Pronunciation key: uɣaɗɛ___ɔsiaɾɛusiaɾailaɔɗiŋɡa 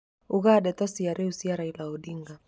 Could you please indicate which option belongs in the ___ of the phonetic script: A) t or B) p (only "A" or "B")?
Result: A